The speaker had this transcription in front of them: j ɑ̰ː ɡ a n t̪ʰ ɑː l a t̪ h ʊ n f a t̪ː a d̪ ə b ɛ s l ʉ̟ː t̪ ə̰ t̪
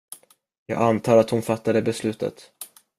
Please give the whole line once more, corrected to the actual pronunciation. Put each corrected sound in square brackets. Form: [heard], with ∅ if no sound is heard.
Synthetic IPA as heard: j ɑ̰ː ɡ a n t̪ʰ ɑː [ɾ] a t̪ h ʊ n f a t̪ː a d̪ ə b ɛ s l ʉ̟ː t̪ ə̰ t̪